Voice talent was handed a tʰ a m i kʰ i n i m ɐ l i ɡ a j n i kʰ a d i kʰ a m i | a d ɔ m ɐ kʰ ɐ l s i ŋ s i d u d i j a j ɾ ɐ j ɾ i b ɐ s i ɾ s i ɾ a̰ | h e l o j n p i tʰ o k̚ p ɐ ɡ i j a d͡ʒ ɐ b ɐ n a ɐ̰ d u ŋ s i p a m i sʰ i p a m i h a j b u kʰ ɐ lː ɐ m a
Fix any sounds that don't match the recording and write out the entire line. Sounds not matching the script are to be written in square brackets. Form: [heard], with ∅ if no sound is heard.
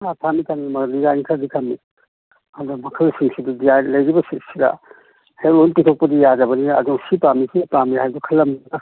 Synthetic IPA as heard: a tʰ a m i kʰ [a] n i m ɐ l i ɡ a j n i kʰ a d i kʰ a m i | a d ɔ m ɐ kʰ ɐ l s i ŋ s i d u d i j a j [l] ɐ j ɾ i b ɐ s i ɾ s i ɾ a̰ | h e l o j n p i tʰ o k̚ p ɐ [d] i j a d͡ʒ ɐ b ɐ n [i] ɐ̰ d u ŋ s i p a m i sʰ i p a m i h a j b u kʰ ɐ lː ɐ m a

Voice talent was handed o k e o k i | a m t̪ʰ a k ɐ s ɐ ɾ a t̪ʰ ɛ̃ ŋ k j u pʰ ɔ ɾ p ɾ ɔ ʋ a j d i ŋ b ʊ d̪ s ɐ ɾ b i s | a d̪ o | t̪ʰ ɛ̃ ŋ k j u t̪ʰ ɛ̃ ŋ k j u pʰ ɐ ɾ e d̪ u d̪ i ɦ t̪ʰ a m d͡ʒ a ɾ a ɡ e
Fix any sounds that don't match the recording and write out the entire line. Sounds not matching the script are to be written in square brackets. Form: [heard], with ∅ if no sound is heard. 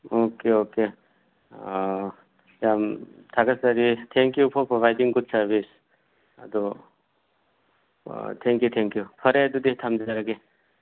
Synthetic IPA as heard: o k e o k [e] | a m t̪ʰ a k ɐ s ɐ ɾ [i] t̪ʰ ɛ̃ ŋ k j u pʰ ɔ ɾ p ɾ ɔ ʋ a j d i ŋ [ɡ] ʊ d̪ s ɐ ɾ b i s | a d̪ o | t̪ʰ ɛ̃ ŋ k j u t̪ʰ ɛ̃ ŋ k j u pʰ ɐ ɾ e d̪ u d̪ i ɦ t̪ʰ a m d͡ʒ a ɾ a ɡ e

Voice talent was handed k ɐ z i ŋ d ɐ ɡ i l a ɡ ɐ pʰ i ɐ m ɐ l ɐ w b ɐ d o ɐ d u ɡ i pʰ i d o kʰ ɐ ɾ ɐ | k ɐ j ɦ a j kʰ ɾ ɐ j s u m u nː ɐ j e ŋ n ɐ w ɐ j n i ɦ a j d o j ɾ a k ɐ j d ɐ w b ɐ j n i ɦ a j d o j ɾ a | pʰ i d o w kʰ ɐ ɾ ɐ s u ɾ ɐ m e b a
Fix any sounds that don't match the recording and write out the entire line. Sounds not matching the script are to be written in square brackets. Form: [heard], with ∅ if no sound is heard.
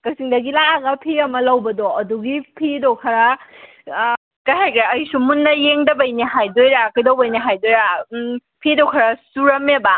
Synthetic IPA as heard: k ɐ [s] i ŋ d ɐ ɡ i l a ɡ ɐ pʰ i ɐ m ɐ l ɐ w b ɐ d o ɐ d u ɡ i pʰ i d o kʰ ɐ ɾ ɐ | k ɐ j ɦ a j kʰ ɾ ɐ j s u m u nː ɐ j e ŋ [d] ɐ [b] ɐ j n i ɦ a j d o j ɾ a k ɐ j d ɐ w b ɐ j n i ɦ a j d o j ɾ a | pʰ i d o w kʰ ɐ ɾ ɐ s u ɾ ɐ m e b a

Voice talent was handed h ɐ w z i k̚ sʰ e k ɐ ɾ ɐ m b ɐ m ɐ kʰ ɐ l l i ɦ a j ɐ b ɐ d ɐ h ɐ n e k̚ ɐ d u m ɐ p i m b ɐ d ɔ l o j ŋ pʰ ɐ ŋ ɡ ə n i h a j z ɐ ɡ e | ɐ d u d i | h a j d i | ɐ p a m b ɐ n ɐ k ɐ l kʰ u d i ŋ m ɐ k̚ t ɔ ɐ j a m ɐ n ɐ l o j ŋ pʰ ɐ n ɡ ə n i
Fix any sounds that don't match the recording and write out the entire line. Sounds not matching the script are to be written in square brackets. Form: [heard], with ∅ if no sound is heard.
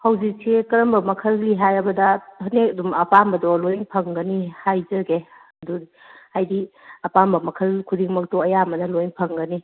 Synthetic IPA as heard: h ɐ w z i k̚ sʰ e k ɐ ɾ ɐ m b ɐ m ɐ kʰ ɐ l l i ɦ a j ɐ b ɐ d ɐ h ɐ n e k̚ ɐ d u m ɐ p [a] m b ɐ d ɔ l o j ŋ pʰ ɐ ŋ ɡ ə n i h a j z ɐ ɡ e | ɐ d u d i | h a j d i | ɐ p a m b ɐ [m] ɐ [kʰ] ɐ l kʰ u d i ŋ m ɐ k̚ t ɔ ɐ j a m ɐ n ɐ l o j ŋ pʰ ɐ [ŋ] ɡ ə n i

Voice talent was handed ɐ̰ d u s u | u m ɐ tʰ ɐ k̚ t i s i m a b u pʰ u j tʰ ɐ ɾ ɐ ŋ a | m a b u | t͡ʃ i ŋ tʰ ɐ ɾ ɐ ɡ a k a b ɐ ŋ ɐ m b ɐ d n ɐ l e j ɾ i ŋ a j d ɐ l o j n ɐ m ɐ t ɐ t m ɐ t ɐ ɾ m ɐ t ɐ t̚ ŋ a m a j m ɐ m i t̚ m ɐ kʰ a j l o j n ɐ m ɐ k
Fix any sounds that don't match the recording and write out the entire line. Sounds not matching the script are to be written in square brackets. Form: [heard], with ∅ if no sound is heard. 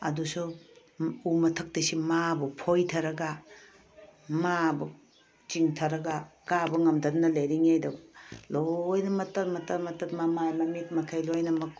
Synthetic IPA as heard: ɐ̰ d u s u | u m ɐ tʰ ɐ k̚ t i s i m a b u pʰ [o] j tʰ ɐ ɾ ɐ [ɡ] a | m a b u | t͡ʃ i ŋ tʰ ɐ ɾ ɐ ɡ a k a b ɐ ŋ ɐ m [d] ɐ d n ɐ l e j ɾ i ŋ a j d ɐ l o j n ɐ m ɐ t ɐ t m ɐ t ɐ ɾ m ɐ t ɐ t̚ [m] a m a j m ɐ m i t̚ m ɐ kʰ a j l o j n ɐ m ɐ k

